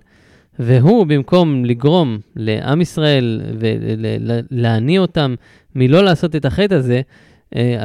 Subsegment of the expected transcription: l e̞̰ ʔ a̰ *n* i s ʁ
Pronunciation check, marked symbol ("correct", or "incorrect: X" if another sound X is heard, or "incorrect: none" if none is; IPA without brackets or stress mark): incorrect: m